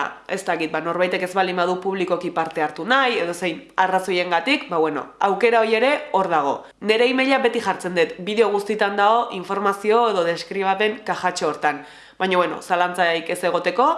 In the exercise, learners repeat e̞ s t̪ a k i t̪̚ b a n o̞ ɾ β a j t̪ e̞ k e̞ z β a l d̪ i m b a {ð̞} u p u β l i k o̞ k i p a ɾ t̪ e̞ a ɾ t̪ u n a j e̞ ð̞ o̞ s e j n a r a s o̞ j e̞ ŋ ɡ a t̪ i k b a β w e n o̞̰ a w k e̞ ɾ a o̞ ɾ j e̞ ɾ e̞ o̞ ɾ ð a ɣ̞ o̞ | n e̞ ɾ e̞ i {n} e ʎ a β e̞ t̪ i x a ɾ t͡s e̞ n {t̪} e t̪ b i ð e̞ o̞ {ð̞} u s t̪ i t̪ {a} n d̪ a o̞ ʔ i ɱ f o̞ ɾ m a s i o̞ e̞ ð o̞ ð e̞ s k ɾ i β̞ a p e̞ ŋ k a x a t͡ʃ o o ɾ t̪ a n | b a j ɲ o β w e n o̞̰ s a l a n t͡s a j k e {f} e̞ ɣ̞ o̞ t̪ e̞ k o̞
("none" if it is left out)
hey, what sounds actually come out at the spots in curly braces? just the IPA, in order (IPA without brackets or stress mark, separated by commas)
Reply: ð̞, m, d̪, ɣ̞, a, s